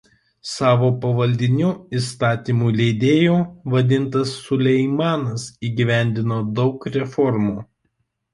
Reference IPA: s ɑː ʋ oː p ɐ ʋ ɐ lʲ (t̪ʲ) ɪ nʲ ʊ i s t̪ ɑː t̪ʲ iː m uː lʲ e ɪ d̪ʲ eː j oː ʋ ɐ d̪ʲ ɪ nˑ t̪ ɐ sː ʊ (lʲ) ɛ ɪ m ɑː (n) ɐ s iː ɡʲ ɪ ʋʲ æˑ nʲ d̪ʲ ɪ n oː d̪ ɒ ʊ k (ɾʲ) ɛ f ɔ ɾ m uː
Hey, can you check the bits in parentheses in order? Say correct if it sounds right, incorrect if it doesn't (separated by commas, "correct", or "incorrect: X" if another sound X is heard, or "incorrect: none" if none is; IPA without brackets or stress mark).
incorrect: d̪ʲ, correct, correct, correct